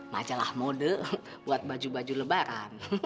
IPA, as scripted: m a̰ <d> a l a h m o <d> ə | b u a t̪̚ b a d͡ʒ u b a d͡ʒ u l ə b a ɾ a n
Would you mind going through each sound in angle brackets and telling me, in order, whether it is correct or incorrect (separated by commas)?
incorrect, correct